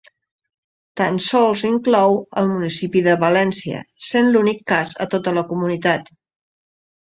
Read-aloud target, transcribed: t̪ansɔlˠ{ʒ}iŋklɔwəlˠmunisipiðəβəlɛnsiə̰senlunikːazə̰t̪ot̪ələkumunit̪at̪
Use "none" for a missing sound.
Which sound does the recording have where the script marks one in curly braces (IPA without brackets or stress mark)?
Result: z